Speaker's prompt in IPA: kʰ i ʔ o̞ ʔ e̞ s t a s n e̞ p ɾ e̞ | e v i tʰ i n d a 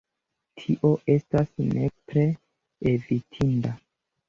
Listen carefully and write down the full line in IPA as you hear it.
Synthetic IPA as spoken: tʰ i ʔ o̞ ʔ e̞ s t a s n e̞ p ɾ e̞ | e v i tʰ i n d a